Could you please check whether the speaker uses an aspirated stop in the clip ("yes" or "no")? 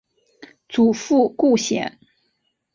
no